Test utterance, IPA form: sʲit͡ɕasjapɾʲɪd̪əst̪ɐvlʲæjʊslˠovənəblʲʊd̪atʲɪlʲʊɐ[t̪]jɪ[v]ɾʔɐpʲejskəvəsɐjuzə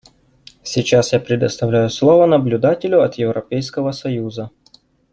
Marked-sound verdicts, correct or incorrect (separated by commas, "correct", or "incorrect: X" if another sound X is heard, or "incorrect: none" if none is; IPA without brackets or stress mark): correct, correct